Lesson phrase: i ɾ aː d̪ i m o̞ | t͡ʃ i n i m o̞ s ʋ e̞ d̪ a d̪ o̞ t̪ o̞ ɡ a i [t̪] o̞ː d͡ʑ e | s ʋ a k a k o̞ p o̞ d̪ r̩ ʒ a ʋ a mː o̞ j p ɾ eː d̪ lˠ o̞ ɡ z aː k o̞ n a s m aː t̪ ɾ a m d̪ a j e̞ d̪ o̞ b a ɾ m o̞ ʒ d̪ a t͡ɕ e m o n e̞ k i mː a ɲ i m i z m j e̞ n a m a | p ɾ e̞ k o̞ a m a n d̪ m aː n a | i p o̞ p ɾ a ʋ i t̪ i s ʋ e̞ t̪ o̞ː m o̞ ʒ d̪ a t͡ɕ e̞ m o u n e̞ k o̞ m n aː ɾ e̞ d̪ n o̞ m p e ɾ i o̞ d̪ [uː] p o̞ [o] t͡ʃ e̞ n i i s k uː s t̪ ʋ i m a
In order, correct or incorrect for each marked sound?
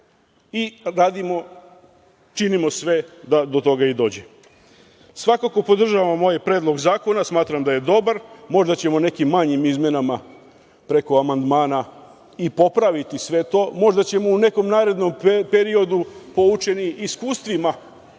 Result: incorrect: d̪, incorrect: u, incorrect: u

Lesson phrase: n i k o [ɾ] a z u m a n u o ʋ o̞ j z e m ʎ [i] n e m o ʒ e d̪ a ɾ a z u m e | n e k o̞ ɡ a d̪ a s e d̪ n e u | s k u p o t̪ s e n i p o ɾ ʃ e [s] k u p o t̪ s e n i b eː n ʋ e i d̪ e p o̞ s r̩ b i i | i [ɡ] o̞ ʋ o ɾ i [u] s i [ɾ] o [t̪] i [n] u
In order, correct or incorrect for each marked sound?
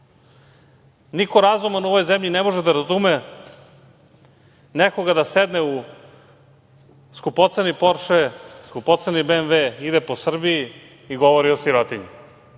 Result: correct, correct, correct, correct, incorrect: o, correct, correct, incorrect: ɲ

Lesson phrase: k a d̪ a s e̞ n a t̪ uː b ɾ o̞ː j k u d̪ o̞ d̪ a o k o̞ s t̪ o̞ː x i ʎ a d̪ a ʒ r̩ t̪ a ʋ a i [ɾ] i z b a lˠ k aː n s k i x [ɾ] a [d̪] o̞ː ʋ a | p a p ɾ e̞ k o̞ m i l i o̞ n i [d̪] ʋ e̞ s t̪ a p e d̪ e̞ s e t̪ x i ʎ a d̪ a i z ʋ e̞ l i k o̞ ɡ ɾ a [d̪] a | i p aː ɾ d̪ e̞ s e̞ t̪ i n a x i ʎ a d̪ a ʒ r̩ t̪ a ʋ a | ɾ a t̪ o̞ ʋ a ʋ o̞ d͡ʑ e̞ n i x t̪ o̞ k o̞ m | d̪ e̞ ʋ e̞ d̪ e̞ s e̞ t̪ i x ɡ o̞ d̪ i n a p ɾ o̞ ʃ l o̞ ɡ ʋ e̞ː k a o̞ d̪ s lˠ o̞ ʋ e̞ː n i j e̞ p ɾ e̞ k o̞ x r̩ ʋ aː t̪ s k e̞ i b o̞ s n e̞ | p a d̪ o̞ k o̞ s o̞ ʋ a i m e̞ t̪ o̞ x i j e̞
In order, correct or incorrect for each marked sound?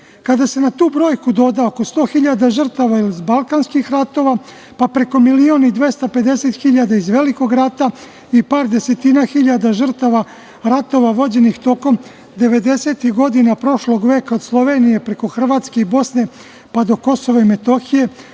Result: incorrect: l, correct, incorrect: t̪, correct, incorrect: t̪

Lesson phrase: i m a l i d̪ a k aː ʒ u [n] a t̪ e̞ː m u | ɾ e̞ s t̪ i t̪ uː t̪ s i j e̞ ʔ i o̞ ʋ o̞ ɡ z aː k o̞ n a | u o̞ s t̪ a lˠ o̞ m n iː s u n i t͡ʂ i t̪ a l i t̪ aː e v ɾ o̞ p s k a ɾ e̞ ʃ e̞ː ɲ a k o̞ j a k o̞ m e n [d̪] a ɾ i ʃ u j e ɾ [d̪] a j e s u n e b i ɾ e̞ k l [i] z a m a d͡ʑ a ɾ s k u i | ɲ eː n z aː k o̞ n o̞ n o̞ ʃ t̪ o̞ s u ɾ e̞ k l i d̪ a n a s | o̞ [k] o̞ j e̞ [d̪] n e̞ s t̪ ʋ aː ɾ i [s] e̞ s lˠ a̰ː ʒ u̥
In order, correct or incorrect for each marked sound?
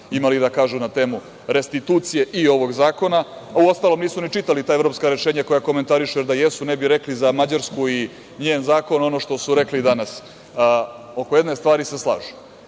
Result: correct, incorrect: t̪, correct, correct, correct, correct, correct

